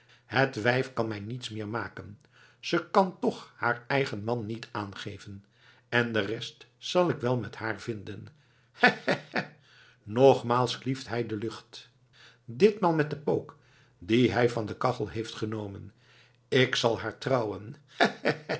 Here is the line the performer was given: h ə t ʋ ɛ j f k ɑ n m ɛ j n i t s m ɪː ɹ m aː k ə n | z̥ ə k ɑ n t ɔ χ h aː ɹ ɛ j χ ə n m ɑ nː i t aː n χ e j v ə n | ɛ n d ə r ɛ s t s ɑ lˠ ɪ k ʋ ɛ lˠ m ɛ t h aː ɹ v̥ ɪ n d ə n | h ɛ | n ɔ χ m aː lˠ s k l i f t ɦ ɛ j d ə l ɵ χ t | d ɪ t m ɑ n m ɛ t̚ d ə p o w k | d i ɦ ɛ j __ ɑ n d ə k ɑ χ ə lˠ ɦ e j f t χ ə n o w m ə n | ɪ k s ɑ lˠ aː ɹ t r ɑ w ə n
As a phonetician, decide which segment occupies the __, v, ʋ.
v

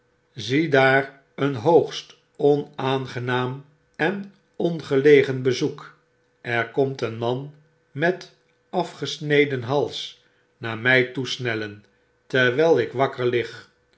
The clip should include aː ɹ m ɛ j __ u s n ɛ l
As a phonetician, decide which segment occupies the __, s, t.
t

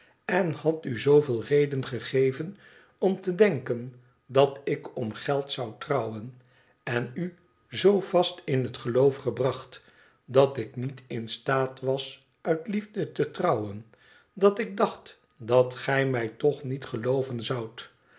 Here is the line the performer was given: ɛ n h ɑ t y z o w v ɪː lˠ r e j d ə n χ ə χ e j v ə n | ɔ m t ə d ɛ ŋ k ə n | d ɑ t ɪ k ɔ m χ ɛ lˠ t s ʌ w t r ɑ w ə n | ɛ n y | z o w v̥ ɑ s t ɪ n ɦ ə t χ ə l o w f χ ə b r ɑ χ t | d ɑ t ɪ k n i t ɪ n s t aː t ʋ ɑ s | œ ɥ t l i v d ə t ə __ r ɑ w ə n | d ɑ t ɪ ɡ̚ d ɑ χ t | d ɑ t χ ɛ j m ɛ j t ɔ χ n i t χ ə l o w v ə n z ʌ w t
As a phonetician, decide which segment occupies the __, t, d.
t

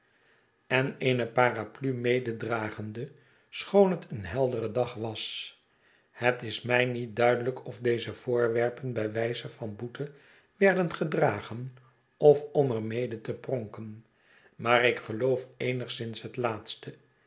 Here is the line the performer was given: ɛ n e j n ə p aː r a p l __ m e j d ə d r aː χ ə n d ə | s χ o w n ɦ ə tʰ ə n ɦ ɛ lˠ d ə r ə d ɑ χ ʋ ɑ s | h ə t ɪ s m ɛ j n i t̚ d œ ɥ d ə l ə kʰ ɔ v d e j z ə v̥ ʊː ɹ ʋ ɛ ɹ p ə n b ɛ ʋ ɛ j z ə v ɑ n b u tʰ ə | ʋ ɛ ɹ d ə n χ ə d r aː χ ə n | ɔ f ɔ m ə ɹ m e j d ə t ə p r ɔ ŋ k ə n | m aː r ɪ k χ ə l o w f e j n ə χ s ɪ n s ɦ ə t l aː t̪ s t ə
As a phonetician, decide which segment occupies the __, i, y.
y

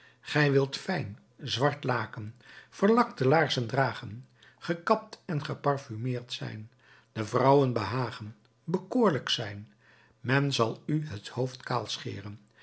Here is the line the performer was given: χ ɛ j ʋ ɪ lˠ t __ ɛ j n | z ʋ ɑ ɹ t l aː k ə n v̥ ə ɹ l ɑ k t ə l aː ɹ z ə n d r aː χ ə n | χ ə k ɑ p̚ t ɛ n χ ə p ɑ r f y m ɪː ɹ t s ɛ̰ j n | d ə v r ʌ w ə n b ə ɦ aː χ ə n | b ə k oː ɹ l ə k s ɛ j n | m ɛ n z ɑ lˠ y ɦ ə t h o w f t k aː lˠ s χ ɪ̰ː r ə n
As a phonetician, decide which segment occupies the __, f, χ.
f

